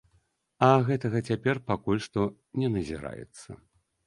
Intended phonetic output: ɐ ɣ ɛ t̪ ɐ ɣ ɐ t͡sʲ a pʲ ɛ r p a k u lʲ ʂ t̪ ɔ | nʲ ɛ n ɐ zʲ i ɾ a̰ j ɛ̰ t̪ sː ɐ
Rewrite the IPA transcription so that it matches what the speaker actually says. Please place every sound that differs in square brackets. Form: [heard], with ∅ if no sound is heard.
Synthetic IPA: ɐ ɣ ɛ t̪ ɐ ɣ ɐ t͡sʲ a pʲ ɛ r p a k u lʲ ʂ t̪ ɔ | nʲ ɛ n ɐ zʲ i ɾ a̰ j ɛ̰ t̪ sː ɐ